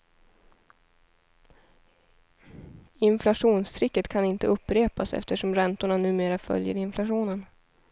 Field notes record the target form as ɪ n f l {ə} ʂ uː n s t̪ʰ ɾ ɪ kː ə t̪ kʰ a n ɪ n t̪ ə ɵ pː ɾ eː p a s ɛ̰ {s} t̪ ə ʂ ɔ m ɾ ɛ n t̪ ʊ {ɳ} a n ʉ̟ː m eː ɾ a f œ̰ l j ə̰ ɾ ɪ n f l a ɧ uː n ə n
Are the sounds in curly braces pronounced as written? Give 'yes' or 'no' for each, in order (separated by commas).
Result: no, no, yes